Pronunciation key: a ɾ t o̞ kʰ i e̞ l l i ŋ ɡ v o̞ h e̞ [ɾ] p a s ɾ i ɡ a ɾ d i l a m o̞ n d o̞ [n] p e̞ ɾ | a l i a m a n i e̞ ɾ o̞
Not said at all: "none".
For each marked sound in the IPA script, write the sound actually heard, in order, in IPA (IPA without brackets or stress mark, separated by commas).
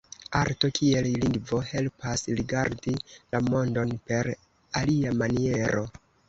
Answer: l, n